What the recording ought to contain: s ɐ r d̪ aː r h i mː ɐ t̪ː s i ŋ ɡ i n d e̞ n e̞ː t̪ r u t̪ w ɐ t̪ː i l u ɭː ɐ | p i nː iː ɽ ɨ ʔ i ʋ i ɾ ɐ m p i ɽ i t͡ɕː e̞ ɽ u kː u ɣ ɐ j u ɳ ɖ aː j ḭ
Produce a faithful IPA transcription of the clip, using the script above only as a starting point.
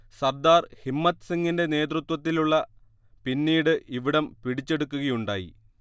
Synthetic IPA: s ɐ r d̪ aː r h i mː ɐ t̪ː s i ŋ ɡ i n d e̞ n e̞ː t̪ r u t̪ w ɐ t̪ː i l u ɭː ɐ | p i nː iː ɽ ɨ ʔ i ʋ i ɽ ɐ m p i ɽ i t͡ɕː e̞ ɽ u kː u ɣ ɐ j u ɳ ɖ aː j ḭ